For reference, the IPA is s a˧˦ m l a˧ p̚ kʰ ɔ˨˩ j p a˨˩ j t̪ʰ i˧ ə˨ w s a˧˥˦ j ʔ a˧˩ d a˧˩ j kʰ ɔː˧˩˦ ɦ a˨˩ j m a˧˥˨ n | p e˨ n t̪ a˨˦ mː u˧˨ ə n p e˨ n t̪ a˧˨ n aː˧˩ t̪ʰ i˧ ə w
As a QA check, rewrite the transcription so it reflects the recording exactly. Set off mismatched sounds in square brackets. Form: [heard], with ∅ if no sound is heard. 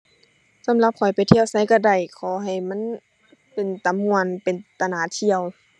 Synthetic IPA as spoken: s a˧˦ m l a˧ p̚ kʰ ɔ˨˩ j p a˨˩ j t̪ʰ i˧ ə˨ w s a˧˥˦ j [k] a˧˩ d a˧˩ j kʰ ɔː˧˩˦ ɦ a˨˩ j m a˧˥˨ n | p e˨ n t̪ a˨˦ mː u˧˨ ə n p e˨ n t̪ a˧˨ n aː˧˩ t̪ʰ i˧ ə w